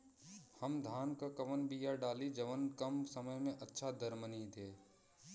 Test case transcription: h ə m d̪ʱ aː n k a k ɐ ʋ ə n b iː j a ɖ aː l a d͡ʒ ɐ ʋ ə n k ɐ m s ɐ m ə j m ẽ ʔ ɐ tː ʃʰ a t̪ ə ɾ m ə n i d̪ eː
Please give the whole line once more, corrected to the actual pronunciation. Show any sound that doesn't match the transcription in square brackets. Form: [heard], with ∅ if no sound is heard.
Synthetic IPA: h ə m d̪ʱ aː n k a k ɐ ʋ ə n b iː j a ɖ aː l [i] d͡ʒ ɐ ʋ ə n k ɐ m s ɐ m ə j m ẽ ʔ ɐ tː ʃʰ a [d̪] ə ɾ m ə n i d̪ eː